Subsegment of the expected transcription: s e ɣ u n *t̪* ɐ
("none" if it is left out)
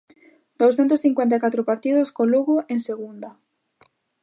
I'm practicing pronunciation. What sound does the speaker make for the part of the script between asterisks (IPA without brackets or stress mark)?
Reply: d̪